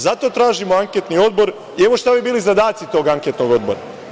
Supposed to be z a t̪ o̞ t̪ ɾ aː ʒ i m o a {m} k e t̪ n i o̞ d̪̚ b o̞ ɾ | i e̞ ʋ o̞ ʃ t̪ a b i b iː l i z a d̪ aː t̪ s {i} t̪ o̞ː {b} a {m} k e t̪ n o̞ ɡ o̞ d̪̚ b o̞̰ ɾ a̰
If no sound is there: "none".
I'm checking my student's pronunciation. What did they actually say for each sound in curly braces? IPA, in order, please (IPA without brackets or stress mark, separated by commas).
ŋ, i, ɡ, ŋ